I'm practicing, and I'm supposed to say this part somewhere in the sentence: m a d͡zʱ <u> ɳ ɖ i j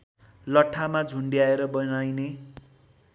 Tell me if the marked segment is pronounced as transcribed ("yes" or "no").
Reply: yes